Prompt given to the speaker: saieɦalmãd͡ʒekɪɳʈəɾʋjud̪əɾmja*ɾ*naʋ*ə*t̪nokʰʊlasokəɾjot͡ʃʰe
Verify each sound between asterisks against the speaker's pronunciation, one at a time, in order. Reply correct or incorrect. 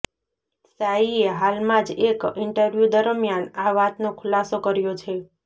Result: incorrect, incorrect

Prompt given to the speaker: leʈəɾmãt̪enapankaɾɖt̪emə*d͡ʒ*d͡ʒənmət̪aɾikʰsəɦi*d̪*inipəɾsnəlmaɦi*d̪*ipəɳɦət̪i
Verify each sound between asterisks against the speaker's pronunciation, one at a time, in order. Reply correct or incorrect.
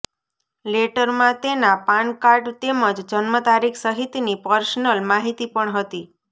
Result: correct, incorrect, incorrect

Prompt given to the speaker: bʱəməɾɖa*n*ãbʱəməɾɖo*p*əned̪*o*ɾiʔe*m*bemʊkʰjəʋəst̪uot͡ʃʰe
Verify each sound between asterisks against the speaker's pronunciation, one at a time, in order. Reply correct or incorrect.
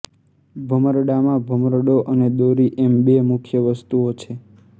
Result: incorrect, incorrect, correct, correct

